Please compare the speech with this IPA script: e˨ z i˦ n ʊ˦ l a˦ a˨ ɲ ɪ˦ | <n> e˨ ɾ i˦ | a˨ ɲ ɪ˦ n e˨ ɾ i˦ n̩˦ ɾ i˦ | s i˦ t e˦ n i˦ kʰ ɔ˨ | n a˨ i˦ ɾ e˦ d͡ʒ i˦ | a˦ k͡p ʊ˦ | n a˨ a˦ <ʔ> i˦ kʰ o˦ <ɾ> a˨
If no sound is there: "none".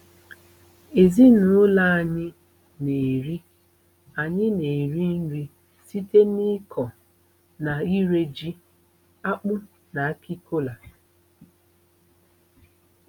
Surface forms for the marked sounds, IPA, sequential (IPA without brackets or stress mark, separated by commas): n, k, l